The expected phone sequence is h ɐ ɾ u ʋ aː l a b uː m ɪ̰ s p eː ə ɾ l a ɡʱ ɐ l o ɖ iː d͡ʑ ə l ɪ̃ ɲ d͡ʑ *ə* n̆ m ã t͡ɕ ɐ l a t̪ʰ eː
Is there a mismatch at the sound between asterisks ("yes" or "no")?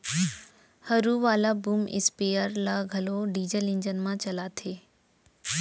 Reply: no